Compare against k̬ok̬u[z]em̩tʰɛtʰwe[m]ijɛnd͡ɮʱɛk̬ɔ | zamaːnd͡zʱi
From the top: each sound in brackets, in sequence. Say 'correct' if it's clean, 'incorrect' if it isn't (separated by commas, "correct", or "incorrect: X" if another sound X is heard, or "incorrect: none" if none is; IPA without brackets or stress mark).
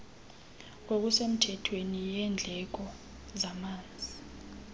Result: incorrect: s, incorrect: n